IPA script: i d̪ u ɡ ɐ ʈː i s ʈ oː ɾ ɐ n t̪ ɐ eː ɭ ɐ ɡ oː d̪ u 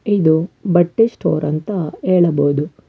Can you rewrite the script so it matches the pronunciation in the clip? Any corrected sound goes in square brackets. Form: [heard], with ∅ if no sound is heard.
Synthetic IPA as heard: i d̪ u [b] ɐ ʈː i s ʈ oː ɾ ɐ n t̪ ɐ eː ɭ ɐ [b] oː d̪ u